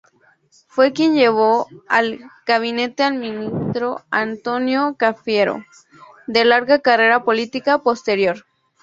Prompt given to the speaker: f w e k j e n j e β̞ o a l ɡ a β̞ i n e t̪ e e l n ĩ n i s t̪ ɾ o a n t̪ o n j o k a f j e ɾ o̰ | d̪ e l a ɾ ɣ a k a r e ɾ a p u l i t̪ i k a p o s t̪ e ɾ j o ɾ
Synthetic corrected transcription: f w e k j e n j e β̞ o a l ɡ a β̞ i n e t̪ e a l m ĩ n i s t̪ ɾ o a n t̪ o n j o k a f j e ɾ o̰ | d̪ e l a ɾ ɣ a k a r e ɾ a p o l i t̪ i k a p o s t̪ e ɾ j o ɾ